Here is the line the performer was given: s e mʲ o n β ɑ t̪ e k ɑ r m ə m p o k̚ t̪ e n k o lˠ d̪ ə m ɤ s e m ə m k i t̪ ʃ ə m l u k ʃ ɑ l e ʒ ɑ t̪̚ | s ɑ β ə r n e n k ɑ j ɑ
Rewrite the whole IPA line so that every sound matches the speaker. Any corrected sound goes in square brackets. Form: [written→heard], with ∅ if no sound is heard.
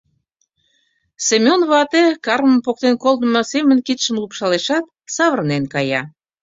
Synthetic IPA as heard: s e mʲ o n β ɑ t̪ e k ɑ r m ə m p o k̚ t̪ e n k o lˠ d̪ ə m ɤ s e m ə [m→n] k i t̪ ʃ ə m l u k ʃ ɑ l e [ʒ→ʃ] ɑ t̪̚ | s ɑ β ə r n e n k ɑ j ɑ